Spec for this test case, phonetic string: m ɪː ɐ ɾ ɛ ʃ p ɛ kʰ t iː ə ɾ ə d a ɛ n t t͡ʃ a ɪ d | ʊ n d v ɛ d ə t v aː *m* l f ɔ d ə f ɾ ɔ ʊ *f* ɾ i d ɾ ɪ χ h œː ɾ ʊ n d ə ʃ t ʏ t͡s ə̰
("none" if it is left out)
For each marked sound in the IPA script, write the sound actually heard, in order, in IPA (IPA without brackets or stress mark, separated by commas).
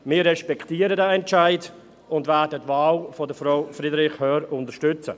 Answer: none, f